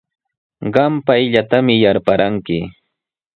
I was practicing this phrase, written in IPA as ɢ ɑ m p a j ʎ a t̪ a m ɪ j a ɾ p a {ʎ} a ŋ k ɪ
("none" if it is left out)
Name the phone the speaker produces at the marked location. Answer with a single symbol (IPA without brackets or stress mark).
ɾ